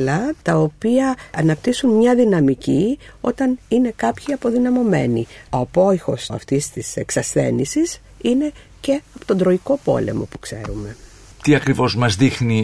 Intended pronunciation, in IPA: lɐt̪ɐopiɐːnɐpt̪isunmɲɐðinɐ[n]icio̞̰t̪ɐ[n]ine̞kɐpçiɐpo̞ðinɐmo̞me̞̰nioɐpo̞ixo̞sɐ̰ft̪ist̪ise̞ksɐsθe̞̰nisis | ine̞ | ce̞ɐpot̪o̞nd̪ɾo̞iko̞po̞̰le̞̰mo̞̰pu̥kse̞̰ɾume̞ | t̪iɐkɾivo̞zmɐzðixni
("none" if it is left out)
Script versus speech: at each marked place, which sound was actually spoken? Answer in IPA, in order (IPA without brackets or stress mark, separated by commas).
m, n